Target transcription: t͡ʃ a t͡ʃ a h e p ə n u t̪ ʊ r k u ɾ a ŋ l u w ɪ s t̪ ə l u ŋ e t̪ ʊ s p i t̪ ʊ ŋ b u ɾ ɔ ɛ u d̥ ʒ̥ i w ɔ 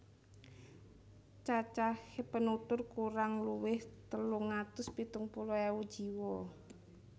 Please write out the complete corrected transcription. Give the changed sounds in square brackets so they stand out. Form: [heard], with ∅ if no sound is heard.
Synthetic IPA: t͡ʃ a t͡ʃ a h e p ə n u t̪ ʊ r k u ɾ a ŋ l u w ɪ [h] t̪ ə l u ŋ [a] t̪ ʊ s p i t̪ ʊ ŋ [p] u [l] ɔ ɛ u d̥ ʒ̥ i w ɔ